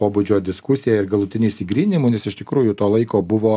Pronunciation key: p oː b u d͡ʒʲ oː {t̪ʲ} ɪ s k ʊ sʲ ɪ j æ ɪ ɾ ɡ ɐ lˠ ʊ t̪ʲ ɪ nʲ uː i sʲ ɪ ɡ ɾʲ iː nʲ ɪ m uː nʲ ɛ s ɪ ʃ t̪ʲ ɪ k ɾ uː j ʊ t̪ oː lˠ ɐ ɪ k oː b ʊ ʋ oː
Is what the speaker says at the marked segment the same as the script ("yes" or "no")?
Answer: no